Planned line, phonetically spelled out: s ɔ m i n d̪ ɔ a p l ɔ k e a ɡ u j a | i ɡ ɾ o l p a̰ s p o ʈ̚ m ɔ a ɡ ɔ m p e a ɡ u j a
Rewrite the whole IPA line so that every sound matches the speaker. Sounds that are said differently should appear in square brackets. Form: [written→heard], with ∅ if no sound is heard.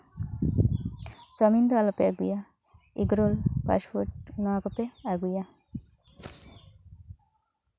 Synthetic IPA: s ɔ m i n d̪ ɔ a [p→∅] l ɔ [k→p] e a ɡ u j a | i ɡ ɾ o l p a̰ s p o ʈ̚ [m→n] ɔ a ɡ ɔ [m→∅] p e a ɡ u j a

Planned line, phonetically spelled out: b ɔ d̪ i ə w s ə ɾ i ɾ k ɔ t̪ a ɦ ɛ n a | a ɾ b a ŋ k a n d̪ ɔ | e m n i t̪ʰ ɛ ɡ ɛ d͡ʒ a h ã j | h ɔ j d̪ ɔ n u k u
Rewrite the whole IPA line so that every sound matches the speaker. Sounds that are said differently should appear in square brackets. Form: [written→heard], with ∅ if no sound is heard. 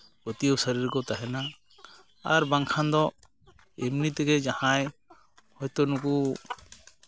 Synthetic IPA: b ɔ [d̪→t̪] i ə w s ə ɾ i ɾ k ɔ t̪ a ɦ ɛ n a | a ɾ b a ŋ [k→kʰ] a n d̪ ɔ | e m n i [t̪ʰ→t̪] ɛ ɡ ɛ d͡ʒ a h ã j | h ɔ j [d̪→t̪] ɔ n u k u

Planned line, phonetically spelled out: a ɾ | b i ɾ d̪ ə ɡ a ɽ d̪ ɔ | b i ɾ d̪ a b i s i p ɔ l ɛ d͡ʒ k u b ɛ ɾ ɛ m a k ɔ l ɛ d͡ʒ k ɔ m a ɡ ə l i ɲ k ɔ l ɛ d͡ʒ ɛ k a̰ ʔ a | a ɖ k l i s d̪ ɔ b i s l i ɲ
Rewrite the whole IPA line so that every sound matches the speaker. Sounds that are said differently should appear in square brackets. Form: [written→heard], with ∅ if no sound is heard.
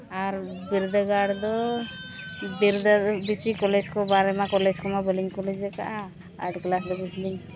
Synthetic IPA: a ɾ | b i ɾ d̪ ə ɡ a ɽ d̪ ɔ | b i ɾ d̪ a b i s i [p→k] ɔ l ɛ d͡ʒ k [u→ɔ] b [ɛ→a] ɾ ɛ m a k ɔ l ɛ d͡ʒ k ɔ m a [ɡ→b] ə l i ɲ k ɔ l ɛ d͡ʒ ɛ k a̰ ʔ a | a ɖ k l [i→a] s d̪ ɔ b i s l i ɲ

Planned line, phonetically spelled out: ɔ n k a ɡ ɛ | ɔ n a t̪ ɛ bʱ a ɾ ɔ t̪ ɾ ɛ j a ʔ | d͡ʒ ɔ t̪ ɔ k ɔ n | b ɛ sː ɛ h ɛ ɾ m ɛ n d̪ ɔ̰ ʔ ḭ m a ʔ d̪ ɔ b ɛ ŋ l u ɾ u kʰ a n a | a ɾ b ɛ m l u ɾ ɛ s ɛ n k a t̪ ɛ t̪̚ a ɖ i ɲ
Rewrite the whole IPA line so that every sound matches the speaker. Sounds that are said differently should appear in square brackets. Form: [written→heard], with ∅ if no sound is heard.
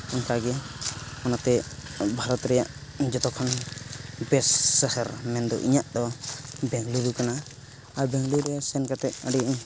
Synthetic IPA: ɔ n k a ɡ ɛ | ɔ n a t̪ ɛ bʱ a ɾ ɔ t̪ ɾ ɛ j a ʔ | d͡ʒ ɔ t̪ ɔ [k→kʰ] ɔ n | b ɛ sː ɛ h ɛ ɾ m ɛ n d̪ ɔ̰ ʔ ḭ [m→ɲ] a ʔ d̪ ɔ b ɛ ŋ l u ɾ u [kʰ→k] a n a | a ɾ b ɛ [m→ŋ] l u ɾ ɛ s ɛ n k a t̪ ɛ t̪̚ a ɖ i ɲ

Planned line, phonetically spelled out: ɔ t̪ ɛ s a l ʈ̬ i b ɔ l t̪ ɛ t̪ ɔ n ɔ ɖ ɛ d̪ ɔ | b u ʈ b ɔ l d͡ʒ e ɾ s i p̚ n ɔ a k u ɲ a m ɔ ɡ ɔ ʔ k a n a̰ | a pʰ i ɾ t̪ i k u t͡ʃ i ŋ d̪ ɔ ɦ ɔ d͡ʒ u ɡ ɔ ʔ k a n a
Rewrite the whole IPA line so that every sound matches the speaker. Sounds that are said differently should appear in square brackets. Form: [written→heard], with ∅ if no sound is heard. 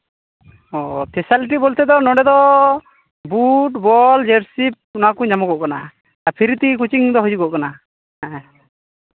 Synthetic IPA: ɔ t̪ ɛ s a l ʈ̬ i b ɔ l t̪ ɛ [t̪→d̪] ɔ n ɔ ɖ ɛ d̪ ɔ | b u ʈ b ɔ l d͡ʒ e ɾ s i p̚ n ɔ a k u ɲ a m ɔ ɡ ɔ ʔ k a n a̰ | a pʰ i ɾ t̪ i k u t͡ʃ i ŋ d̪ ɔ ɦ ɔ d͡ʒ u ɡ ɔ ʔ k a n a

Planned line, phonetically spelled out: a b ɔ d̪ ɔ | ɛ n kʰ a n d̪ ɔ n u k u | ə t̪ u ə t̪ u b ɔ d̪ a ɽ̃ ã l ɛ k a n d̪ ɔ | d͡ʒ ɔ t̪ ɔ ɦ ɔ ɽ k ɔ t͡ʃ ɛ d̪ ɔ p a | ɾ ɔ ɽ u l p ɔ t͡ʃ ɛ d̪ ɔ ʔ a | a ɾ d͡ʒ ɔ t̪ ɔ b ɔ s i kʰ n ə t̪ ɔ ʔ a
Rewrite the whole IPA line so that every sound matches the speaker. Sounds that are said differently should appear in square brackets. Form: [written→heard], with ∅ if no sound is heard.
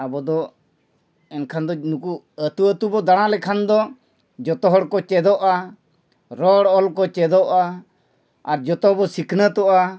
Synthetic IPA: a b ɔ d̪ ɔ | ɛ n kʰ a n d̪ ɔ n u k u | ə t̪ u ə t̪ u b ɔ d̪ a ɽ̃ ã l ɛ [k→kʰ] a n d̪ ɔ | d͡ʒ ɔ t̪ ɔ ɦ ɔ ɽ k ɔ t͡ʃ ɛ d̪ ɔ [p→ʔ] a | ɾ ɔ ɽ [u→ɔ] l [p→k] ɔ t͡ʃ ɛ d̪ ɔ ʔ a | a ɾ d͡ʒ ɔ t̪ ɔ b ɔ s i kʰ n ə t̪ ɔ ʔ a

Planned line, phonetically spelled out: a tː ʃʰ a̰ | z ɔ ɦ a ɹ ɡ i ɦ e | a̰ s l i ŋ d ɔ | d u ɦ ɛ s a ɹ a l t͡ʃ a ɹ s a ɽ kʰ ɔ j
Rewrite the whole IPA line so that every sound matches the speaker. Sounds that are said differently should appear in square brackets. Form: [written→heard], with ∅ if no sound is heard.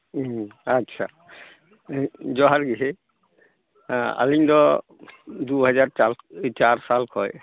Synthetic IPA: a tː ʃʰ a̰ | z ɔ ɦ a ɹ ɡ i ɦ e | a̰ [s→∅] l i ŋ d ɔ | d u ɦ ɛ [s→z] a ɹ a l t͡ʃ a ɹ s a [ɽ→l] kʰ ɔ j

